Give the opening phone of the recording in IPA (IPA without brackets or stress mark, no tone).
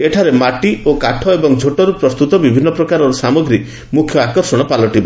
e